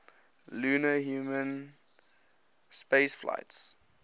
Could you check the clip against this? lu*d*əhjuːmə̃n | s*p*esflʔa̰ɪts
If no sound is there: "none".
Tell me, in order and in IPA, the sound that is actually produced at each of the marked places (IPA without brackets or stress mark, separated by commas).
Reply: n, p